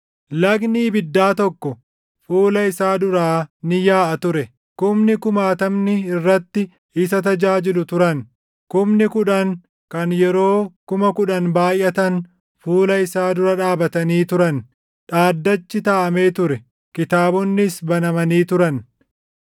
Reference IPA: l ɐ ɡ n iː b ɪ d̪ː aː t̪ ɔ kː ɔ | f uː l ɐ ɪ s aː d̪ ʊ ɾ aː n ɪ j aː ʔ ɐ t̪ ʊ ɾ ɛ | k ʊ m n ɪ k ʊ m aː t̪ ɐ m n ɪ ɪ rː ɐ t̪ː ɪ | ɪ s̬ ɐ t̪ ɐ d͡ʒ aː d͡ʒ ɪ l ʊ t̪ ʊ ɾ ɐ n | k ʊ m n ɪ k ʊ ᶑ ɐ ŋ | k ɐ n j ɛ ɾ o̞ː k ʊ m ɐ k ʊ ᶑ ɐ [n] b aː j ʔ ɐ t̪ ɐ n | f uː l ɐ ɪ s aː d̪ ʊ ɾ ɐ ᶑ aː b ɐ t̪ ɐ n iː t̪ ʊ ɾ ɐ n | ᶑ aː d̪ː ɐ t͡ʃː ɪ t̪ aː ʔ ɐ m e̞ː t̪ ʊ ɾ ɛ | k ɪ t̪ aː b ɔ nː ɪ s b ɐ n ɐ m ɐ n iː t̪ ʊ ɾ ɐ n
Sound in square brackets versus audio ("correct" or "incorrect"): correct